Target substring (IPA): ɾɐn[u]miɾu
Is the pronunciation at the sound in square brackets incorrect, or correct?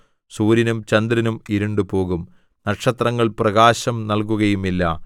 correct